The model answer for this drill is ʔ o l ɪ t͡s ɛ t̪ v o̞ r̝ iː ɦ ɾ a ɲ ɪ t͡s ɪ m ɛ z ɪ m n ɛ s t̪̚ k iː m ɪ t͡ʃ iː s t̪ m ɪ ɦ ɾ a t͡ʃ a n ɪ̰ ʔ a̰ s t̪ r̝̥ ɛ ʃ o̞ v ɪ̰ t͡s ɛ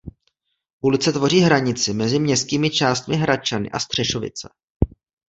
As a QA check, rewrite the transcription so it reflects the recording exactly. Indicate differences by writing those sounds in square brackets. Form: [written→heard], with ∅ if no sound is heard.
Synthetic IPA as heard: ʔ [o→u] l ɪ t͡s ɛ t̪ v o̞ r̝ iː ɦ ɾ a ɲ ɪ t͡s ɪ m ɛ z ɪ m [n→ɲ] ɛ s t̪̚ k iː m ɪ t͡ʃ [iː→aː] s t̪ m ɪ ɦ ɾ a t͡ʃ a n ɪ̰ ʔ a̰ s t̪ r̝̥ ɛ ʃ o̞ v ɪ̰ t͡s ɛ